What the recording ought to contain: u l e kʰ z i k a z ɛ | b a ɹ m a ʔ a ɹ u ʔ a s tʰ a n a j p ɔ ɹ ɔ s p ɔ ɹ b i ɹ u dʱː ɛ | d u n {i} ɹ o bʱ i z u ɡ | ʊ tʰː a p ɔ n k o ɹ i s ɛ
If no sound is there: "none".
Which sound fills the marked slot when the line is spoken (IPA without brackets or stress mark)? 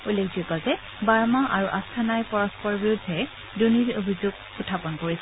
i